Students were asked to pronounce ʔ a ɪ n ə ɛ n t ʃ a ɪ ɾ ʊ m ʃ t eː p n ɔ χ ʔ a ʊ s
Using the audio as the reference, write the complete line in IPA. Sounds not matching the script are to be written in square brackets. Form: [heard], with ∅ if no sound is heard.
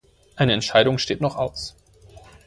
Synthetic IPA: ʔ a ɪ n ə ɛ n t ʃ a ɪ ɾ ʊ [ŋ] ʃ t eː [t] n ɔ χ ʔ a ʊ s